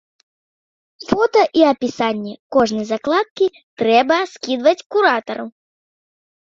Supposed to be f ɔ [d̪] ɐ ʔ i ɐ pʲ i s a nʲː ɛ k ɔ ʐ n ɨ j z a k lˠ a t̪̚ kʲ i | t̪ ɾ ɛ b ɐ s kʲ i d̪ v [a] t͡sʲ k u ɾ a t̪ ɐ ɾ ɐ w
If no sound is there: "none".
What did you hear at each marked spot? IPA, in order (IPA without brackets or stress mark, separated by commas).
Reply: t̪, ɐ